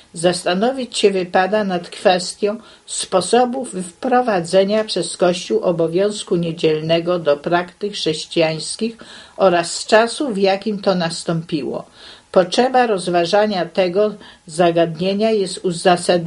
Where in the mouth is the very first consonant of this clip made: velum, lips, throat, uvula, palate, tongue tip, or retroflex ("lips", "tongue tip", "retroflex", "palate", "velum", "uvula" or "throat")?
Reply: tongue tip